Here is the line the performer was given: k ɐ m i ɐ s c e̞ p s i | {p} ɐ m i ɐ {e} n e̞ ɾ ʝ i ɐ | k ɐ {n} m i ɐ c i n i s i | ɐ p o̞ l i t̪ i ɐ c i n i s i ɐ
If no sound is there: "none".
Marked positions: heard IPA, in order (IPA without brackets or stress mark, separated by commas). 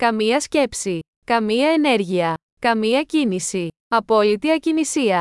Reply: k, e, none